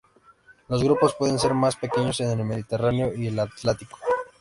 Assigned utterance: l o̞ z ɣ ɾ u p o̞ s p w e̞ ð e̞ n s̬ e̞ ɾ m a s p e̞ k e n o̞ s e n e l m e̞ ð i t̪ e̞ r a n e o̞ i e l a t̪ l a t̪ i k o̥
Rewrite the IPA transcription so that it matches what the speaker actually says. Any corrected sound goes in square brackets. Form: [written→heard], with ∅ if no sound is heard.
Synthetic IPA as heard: l o̞ z ɣ ɾ u p o̞ s p w e̞ ð e̞ n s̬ e̞ ɾ m a s p e̞ k e [n→ɲ] o̞ s e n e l m e̞ ð i t̪ e̞ r a n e o̞ i e l a t̪ l a t̪ i k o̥

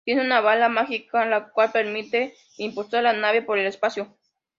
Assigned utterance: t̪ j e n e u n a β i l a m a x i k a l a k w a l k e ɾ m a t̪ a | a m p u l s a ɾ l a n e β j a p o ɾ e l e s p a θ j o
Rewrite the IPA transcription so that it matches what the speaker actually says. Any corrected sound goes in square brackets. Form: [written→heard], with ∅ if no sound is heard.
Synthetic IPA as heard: t̪ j e n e u n a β [i→a] l a m a x i k a l a k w a l [k→p] e ɾ m [a→i] t̪ [a→e] | [a→i] m p u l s a ɾ l a n [e→a] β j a p o ɾ e l e s p a [θ→s] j o

